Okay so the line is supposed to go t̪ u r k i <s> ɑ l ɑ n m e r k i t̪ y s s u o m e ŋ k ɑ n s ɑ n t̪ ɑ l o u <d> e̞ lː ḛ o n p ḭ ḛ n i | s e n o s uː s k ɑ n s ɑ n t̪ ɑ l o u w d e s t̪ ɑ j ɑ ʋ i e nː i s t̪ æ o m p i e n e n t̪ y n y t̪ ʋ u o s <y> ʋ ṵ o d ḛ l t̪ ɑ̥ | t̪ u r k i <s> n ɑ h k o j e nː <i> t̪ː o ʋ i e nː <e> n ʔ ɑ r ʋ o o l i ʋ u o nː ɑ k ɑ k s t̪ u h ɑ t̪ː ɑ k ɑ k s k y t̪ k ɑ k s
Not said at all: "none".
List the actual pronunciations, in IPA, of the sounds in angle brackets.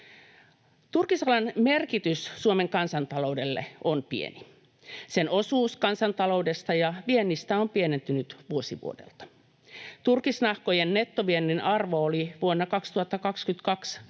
s, d, i, s, e, i

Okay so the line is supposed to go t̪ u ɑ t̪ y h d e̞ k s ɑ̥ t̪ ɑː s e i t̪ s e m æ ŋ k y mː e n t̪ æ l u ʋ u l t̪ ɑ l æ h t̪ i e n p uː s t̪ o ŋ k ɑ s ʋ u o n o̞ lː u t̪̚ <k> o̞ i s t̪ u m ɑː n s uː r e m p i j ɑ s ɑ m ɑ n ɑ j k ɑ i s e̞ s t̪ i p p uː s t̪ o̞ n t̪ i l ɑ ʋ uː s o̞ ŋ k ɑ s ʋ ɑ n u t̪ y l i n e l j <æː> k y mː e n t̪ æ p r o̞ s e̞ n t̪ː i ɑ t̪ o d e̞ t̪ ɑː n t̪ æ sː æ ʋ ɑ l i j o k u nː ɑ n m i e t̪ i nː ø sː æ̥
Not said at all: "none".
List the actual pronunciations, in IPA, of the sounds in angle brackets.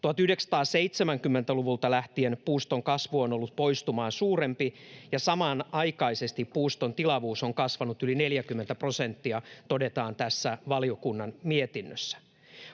p, æ

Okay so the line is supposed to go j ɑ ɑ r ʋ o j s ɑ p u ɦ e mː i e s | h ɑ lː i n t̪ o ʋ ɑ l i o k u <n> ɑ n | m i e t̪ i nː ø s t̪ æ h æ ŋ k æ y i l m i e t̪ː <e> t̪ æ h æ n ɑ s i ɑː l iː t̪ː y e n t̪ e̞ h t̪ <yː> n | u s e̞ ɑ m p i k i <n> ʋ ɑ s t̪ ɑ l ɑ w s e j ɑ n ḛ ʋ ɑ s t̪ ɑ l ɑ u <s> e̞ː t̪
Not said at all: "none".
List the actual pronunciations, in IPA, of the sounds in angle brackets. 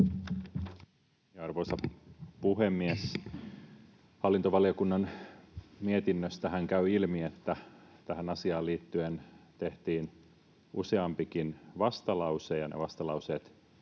nː, æ, iː, n, s

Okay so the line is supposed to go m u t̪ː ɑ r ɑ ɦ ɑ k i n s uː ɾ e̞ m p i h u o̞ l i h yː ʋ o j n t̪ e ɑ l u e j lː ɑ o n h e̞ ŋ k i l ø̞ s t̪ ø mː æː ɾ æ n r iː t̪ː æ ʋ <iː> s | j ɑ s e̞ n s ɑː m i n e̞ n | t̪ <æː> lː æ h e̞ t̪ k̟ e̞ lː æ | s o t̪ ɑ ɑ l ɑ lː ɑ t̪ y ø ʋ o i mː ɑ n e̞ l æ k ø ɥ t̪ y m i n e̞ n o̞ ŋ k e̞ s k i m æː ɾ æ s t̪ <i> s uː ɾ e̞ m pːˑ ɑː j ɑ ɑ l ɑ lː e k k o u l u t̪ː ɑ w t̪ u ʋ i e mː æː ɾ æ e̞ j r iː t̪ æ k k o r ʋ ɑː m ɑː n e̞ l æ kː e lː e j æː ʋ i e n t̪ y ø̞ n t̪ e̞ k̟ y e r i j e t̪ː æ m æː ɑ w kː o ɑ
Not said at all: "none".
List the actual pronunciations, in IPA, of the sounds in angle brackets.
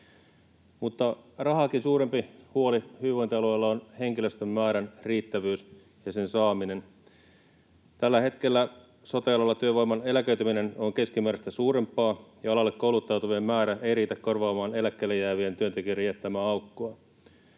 yː, æ, æ

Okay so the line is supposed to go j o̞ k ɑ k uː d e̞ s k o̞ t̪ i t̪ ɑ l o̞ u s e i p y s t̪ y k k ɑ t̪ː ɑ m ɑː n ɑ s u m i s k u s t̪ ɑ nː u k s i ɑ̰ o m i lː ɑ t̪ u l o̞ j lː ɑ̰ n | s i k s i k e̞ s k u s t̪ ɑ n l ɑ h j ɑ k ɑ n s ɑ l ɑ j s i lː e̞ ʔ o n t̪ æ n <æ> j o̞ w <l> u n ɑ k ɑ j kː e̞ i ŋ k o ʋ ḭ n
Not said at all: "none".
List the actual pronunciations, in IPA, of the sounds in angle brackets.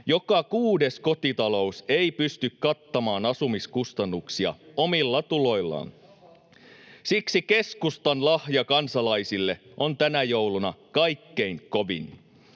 æ, l

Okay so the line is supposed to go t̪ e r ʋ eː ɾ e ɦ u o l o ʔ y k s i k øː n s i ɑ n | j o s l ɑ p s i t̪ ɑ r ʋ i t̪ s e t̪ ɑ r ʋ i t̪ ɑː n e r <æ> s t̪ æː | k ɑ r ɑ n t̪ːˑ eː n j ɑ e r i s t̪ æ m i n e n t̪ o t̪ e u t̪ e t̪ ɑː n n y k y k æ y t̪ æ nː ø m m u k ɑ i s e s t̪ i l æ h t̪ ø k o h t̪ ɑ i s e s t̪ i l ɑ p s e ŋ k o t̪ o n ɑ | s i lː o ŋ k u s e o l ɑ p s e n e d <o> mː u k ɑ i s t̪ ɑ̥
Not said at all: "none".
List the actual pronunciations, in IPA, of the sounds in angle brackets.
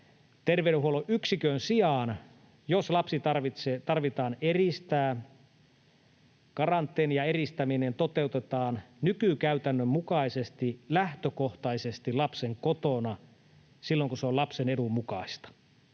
i, u

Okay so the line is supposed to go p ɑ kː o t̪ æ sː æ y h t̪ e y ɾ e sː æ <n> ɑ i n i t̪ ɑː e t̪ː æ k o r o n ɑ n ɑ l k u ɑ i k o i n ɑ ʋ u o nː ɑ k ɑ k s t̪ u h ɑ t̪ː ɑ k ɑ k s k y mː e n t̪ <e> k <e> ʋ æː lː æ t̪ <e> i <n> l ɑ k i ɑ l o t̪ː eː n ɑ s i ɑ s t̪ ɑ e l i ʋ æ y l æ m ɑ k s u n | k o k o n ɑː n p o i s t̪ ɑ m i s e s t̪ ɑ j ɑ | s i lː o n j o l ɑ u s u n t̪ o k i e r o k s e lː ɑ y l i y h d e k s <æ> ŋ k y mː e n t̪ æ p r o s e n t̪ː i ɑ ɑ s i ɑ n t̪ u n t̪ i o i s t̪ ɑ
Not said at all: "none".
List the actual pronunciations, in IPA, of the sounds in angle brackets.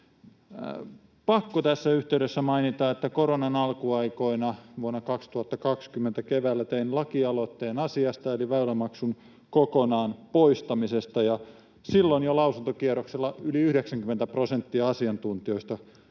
m, æ, e, e, n, æ

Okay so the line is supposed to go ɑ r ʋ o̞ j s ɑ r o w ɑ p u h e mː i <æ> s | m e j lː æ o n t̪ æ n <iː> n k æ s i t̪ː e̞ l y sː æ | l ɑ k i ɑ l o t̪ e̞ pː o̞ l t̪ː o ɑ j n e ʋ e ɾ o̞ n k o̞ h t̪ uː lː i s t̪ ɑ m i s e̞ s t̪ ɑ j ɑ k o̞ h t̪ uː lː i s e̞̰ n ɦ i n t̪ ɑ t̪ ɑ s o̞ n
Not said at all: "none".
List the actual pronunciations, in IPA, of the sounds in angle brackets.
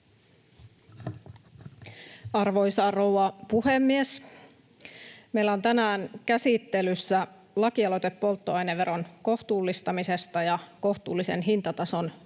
e, æː

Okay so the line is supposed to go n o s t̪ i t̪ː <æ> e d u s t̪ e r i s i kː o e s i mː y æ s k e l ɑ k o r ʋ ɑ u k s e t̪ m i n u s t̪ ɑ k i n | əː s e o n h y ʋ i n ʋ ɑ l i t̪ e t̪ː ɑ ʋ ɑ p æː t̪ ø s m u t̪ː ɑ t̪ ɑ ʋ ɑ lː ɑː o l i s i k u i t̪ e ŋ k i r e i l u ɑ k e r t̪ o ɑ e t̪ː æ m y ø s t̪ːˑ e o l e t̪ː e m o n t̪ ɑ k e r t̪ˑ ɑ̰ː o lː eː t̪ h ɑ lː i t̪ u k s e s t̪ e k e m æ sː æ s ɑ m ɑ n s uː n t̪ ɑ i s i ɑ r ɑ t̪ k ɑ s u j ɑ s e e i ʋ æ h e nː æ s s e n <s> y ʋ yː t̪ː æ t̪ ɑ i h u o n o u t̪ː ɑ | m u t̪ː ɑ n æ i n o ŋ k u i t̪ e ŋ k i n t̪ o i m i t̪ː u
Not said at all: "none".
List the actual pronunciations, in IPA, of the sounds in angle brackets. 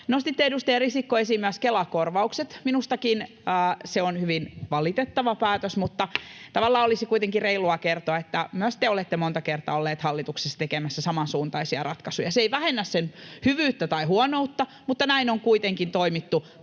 e, h

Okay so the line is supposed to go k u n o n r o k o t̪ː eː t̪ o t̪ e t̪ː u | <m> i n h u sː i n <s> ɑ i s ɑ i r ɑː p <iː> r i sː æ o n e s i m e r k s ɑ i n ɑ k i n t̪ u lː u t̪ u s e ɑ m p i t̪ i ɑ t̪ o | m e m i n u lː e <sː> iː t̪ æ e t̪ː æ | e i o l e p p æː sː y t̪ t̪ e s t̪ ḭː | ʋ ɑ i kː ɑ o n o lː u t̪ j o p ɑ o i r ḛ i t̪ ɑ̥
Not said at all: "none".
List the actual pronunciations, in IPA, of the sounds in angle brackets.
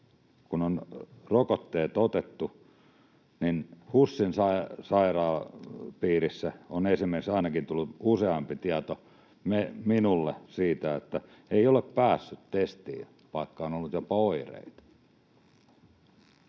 n, s, iː, s

